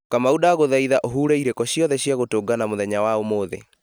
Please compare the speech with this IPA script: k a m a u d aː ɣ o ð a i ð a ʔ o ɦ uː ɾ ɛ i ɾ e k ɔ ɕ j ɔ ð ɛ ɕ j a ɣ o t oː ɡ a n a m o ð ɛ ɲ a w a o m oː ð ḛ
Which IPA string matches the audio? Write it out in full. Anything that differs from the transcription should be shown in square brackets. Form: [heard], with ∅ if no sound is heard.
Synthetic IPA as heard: k a m a u d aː ɣ o ð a i ð a ʔ o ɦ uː ɾ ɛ i ɾ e k ɔ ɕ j ɔ ð ɛ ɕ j a ɣ o t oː ɡ a n a m o ð ɛ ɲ a w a o m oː ð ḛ

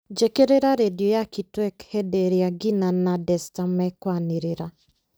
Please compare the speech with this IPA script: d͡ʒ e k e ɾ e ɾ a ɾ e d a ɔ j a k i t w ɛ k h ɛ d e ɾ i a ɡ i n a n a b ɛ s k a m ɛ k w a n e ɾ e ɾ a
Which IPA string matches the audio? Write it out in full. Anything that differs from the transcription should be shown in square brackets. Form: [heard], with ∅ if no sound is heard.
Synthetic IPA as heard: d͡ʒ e k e ɾ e ɾ a ɾ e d [i] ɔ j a k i t w ɛ k h ɛ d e ɾ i a ɡ i n a n a [d] ɛ s [t] a m ɛ k w a n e ɾ e ɾ a

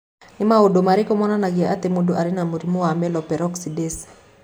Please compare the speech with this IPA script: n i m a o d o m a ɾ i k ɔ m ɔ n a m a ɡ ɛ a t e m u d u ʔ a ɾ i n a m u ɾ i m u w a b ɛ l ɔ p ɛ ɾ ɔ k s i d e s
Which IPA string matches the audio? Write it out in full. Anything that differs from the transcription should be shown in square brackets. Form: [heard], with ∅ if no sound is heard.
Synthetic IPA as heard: n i m a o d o m a ɾ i k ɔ m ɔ n a [n] a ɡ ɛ a t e m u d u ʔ a ɾ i n a m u ɾ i m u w a [m] ɛ l ɔ p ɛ ɾ ɔ k s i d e s

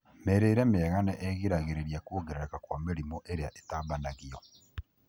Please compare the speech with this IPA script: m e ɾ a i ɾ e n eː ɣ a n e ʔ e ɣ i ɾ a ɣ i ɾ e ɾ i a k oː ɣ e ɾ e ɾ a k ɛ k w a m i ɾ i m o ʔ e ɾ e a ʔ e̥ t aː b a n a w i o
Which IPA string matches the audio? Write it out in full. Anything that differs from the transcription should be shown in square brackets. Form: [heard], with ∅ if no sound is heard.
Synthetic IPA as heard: m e ɾ [e] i ɾ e [m] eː ɣ a n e ʔ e ɣ i ɾ a ɣ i ɾ e ɾ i a k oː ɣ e ɾ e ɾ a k [a] k w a m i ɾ i m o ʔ e ɾ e a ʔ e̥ t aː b a n a [ɣ] i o

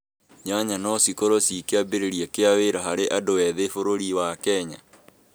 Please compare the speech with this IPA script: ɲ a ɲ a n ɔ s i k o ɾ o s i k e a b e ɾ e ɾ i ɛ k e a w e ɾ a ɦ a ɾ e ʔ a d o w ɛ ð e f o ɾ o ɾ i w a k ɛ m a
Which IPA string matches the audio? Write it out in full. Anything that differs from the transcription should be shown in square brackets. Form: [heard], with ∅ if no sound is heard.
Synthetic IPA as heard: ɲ a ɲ a n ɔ s i k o ɾ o s i k e a b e ɾ e ɾ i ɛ k e a w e ɾ a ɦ a ɾ e ʔ a d o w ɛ ð e f o ɾ o ɾ i w a k ɛ [ɲ] a

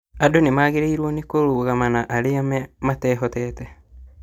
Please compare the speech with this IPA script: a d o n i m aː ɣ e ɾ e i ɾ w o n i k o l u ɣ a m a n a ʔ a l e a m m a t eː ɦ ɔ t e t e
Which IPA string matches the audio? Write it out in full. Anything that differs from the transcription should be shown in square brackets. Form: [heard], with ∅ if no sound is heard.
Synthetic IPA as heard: a d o n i m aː ɣ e ɾ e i ɾ w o n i k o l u ɣ a m a n a ʔ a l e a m m a t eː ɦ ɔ t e t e

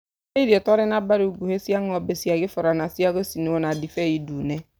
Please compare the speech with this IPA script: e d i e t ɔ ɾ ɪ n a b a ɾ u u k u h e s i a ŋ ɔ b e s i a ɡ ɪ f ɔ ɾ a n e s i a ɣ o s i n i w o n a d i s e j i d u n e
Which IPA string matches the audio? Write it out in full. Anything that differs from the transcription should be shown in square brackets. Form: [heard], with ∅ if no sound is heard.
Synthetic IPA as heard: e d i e t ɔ ɾ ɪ n a b a ɾ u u [ɡ] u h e s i a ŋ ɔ b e s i a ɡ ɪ f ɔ ɾ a n [a] s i a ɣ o s i n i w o n a d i [f] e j i d u n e

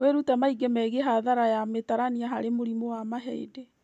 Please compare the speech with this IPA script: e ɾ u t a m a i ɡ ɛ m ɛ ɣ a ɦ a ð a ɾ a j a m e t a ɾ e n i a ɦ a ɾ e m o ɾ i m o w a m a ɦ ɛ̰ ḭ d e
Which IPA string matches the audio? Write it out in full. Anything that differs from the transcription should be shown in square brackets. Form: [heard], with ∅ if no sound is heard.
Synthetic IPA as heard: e ɾ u t a m a i ɡ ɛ m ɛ ɣ [e] ɦ a ð a ɾ a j a m e t a ɾ [a] n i a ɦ a ɾ e m o ɾ i m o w a m a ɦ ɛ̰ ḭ d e

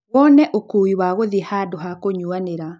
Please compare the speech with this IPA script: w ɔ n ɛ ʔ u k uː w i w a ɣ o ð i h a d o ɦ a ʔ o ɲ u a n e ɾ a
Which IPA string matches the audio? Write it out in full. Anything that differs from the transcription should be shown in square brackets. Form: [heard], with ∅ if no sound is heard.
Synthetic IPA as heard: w ɔ n ɛ ʔ [o] k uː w i w a ɣ o ð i h a d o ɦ a [k] o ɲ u a n e ɾ a

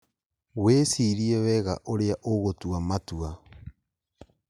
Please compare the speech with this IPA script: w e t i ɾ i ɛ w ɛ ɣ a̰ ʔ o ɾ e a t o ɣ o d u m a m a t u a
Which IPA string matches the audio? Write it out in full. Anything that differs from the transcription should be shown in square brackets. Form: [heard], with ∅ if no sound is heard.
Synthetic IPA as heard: w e [s] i ɾ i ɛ w ɛ ɣ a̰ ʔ o ɾ e a [ʔ] o ɣ o [t] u [∅] a m a t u a

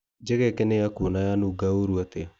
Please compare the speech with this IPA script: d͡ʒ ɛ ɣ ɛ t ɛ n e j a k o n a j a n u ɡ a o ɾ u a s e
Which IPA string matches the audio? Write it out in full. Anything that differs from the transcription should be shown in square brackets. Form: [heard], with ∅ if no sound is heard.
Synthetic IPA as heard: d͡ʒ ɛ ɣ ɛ [k] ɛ n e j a k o n a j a n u ɡ a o ɾ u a [t] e

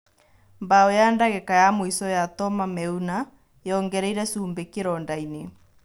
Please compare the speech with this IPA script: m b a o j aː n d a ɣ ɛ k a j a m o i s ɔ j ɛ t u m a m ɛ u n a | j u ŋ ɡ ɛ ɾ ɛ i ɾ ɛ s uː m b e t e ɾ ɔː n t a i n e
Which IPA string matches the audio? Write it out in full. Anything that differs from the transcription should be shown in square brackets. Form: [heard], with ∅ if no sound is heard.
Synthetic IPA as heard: m b a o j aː n d a ɣ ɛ k a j a m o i s ɔ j [a] t [ɔ] m a m ɛ u n a | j [ɔ] ŋ ɡ ɛ ɾ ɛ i ɾ ɛ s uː m b e [k] e ɾ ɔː n [d] a i n e

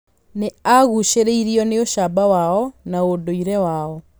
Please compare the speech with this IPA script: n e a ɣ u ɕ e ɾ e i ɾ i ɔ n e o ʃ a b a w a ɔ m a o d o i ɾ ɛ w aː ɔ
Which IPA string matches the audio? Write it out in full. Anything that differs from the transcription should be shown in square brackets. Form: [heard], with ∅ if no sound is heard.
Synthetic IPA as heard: n e a ɣ u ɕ e ɾ e i ɾ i ɔ n e o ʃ a b a w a ɔ [n] a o d o i ɾ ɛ w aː ɔ

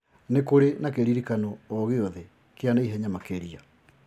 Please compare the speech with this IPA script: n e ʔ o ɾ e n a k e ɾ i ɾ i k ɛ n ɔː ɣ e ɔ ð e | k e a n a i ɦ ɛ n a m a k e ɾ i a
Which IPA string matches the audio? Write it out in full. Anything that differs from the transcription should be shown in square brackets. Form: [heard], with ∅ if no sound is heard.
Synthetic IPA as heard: n e [k] o ɾ e n a k e ɾ i ɾ i k [a] n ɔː ɣ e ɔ ð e | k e a n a i ɦ ɛ [ɲ] a m a k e ɾ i a

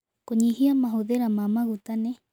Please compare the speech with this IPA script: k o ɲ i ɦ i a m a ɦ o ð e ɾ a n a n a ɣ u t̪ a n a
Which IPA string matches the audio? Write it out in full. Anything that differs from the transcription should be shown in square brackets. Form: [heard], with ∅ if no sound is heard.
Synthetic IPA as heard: k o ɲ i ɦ i a m a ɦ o ð e ɾ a [m] a [m] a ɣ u t̪ a n [e]

